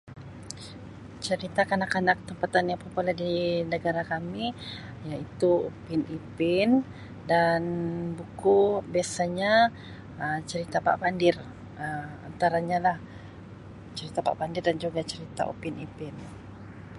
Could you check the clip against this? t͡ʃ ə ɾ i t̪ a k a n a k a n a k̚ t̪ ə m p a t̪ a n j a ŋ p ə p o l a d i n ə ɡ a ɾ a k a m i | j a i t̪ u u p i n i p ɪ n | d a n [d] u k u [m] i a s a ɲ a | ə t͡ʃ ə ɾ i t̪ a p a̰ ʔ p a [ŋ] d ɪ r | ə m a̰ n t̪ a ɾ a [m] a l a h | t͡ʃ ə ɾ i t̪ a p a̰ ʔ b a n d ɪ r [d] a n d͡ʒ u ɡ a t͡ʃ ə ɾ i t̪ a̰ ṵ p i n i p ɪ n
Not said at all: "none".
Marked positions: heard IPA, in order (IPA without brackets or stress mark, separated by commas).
b, b, n, ɲ, d